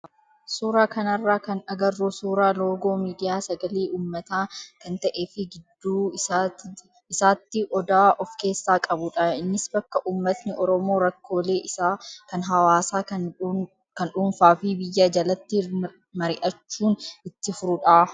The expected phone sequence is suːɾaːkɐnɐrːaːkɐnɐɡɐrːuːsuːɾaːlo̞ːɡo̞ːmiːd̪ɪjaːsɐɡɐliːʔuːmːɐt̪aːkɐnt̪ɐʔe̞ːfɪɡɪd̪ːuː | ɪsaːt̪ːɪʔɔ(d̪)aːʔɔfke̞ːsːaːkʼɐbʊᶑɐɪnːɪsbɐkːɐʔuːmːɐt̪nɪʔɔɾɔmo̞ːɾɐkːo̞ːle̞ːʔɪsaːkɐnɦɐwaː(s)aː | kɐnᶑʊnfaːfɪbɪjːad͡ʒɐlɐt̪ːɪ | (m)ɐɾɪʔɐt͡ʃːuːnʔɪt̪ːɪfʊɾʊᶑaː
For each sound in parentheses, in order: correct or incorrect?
correct, correct, correct

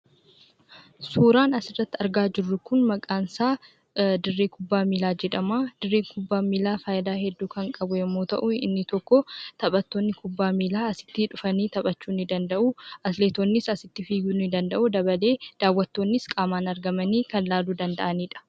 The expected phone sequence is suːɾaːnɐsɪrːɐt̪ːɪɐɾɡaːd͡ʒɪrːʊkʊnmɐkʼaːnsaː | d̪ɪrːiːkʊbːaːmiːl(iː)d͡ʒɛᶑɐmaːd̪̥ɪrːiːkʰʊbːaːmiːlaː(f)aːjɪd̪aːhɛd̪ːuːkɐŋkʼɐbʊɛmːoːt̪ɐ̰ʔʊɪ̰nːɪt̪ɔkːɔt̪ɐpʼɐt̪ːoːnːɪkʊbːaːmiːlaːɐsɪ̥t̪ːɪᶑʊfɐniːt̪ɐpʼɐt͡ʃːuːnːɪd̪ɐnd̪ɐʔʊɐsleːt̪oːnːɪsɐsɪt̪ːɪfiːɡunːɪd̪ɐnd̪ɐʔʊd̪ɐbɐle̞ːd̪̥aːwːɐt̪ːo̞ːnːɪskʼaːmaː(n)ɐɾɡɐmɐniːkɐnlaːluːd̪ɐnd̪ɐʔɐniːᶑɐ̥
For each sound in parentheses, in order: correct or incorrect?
incorrect, correct, correct

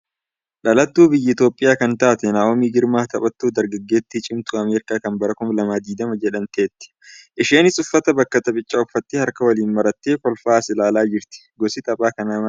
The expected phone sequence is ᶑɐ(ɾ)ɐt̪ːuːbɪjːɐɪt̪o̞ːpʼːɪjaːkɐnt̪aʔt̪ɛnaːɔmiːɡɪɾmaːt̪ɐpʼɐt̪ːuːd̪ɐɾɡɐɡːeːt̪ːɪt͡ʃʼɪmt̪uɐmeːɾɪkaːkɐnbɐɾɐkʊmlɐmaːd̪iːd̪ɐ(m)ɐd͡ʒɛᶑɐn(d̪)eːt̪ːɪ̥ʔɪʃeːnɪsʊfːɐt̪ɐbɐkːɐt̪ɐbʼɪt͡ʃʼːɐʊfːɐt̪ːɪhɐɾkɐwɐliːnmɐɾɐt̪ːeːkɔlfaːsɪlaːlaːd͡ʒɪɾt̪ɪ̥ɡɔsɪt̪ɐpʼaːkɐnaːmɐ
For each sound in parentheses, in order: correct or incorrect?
incorrect, correct, incorrect

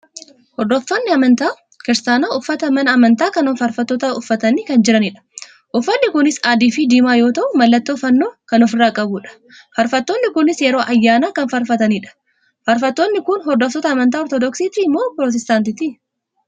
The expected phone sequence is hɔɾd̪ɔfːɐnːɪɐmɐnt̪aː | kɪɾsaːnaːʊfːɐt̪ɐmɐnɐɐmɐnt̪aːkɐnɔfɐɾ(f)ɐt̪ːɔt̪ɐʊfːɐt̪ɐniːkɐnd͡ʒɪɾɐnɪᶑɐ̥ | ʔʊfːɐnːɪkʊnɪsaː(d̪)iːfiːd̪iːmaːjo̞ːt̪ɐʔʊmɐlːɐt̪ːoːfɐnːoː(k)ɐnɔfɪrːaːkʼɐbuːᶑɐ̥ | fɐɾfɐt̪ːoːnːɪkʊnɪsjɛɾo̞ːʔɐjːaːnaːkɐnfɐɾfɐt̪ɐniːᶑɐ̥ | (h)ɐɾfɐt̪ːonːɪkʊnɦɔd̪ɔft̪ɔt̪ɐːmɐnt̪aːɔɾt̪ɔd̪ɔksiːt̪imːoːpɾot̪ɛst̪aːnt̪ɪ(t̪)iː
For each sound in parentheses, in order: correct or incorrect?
correct, correct, correct, incorrect, correct

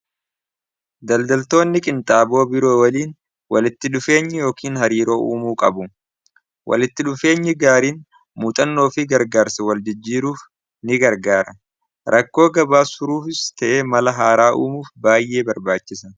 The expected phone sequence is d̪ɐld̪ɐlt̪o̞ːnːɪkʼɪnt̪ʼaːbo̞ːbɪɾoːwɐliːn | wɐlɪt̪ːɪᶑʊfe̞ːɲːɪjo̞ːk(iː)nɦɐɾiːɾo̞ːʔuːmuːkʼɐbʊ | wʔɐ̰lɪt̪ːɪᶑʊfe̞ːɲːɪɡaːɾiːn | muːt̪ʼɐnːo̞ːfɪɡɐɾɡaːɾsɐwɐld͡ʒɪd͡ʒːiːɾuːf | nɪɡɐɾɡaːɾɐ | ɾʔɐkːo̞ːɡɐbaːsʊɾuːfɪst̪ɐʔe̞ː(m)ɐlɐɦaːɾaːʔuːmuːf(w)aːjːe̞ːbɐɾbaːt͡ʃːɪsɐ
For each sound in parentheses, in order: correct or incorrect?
correct, correct, incorrect

